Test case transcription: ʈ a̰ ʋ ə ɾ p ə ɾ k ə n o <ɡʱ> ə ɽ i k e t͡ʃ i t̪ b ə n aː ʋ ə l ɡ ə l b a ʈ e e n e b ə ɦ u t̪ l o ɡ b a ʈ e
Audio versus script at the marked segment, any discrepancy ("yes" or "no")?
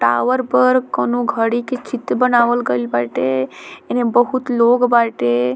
no